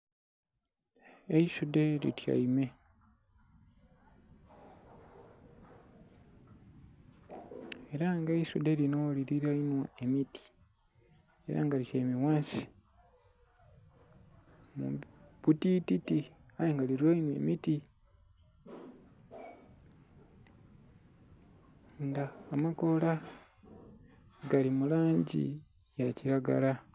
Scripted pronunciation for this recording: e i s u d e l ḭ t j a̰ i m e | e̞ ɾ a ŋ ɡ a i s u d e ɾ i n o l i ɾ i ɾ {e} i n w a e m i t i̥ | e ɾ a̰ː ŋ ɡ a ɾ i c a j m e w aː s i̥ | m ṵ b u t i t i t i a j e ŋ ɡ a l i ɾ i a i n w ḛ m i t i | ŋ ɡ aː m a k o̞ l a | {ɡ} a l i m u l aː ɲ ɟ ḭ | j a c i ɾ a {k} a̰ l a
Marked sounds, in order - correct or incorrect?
incorrect, correct, incorrect

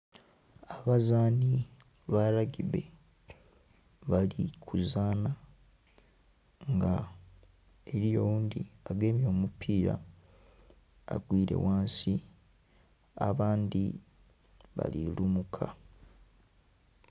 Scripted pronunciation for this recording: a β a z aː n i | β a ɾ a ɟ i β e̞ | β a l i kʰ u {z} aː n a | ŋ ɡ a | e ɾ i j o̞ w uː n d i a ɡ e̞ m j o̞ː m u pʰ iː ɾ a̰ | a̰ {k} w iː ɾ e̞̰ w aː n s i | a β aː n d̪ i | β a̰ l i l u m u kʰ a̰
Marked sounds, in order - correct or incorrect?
correct, incorrect

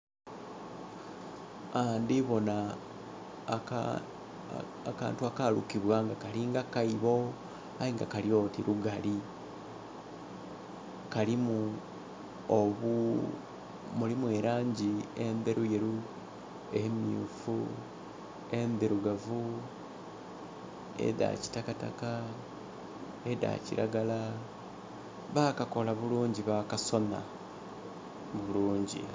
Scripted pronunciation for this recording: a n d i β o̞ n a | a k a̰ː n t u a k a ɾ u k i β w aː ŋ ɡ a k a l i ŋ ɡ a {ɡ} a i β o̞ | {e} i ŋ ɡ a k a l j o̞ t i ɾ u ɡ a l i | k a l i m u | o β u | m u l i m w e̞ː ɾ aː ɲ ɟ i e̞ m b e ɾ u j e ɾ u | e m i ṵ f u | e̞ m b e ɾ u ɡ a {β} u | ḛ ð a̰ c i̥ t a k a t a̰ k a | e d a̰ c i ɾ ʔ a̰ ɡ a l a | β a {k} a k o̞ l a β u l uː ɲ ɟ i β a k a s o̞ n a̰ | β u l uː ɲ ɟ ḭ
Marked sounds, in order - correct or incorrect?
incorrect, incorrect, incorrect, correct

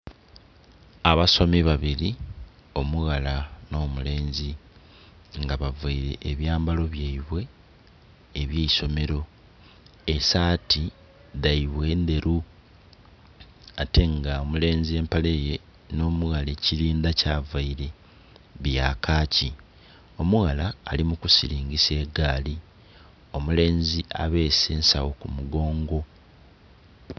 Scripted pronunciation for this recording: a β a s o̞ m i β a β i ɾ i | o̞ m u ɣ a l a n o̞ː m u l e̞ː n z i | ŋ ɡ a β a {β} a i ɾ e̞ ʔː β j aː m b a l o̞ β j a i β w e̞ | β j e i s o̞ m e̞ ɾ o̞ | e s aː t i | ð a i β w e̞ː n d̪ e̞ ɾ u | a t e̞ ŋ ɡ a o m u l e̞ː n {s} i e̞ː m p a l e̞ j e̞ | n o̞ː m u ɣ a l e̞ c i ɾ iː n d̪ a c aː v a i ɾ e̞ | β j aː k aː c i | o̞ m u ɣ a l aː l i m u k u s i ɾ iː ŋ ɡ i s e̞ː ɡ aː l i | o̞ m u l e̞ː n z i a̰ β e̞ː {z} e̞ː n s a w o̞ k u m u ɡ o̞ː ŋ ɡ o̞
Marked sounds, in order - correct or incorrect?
incorrect, incorrect, incorrect

